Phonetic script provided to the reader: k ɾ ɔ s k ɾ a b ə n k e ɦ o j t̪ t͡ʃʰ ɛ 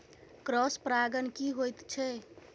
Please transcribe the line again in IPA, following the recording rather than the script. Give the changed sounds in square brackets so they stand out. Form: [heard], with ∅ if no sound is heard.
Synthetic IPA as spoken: k ɾ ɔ s [p] ɾ a [ɡ] ə n k [i] ɦ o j t̪ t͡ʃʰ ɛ